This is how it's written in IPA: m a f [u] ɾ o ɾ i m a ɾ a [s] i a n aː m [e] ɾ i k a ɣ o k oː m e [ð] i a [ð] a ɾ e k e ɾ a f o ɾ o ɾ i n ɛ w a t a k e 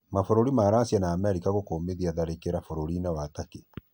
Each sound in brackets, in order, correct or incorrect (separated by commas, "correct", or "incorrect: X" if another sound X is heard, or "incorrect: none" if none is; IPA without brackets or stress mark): incorrect: o, correct, incorrect: ɛ, correct, correct